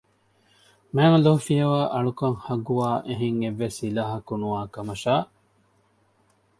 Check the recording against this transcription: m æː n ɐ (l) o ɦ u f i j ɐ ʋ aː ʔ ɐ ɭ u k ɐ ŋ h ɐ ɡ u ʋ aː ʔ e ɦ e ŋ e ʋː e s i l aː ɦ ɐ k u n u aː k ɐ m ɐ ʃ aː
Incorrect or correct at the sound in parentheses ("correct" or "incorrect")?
correct